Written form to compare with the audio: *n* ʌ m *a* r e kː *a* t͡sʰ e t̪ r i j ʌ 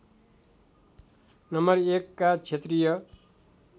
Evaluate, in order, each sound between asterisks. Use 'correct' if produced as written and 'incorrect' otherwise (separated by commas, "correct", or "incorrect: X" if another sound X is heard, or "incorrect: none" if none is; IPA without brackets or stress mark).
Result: correct, incorrect: ʌ, correct